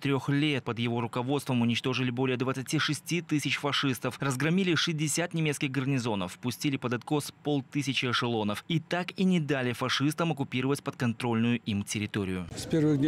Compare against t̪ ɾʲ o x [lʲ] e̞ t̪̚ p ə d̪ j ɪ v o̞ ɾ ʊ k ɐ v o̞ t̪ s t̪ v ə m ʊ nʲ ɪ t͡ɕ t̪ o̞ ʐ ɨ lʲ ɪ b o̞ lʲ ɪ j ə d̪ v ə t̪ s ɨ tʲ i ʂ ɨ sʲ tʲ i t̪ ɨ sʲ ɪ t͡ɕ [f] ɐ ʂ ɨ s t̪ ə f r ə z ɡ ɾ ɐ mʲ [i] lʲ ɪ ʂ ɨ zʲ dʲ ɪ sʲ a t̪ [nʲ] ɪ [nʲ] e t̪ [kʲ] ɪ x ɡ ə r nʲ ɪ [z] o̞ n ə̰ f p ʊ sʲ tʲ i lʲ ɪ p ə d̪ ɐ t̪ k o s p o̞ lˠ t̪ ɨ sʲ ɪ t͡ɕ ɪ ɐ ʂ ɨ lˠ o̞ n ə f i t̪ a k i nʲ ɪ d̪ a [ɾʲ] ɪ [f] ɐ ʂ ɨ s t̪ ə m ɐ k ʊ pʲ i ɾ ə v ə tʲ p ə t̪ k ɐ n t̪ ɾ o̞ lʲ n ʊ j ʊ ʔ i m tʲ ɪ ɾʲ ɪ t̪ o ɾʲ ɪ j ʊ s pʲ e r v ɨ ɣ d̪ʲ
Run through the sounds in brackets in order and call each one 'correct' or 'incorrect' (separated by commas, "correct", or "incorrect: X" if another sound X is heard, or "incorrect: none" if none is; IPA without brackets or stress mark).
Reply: correct, correct, correct, correct, incorrect: mʲ, correct, correct, incorrect: lʲ, correct